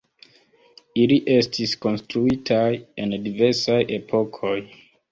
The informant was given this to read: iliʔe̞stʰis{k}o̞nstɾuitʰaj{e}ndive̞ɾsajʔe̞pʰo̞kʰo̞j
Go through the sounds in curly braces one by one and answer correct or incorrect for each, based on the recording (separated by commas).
correct, correct